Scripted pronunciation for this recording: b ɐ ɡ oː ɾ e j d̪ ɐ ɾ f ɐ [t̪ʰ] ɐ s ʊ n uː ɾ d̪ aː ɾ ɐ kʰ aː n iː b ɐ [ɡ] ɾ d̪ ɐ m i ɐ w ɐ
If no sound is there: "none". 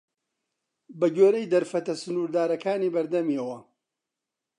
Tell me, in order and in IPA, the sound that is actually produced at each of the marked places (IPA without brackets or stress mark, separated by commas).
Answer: t̪, none